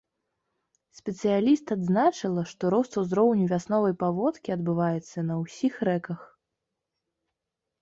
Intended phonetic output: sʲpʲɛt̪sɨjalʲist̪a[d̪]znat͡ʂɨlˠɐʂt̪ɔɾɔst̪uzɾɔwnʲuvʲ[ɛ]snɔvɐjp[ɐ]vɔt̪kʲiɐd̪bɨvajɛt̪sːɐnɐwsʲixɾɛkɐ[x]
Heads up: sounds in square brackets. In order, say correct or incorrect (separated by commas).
correct, incorrect, incorrect, correct